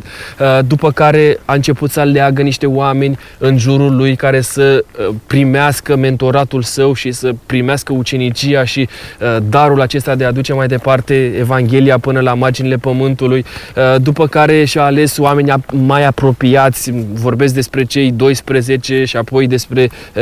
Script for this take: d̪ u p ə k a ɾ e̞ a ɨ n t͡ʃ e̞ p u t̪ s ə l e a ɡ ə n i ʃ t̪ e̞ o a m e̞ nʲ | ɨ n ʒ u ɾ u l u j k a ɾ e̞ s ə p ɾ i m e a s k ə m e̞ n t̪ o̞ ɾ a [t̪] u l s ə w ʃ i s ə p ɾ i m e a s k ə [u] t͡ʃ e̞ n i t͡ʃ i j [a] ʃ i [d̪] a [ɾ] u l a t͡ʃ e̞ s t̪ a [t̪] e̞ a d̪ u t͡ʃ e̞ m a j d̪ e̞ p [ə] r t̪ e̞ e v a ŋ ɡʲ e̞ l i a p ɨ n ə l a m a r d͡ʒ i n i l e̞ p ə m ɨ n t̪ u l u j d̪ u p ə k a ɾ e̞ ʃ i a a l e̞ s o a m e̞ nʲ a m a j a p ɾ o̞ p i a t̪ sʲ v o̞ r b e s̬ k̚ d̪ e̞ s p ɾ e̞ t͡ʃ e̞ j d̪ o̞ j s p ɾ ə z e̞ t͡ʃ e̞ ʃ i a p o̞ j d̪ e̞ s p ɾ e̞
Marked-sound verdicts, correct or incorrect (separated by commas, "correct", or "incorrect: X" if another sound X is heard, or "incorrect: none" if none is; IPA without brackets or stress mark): correct, correct, correct, correct, correct, incorrect: d̪, incorrect: a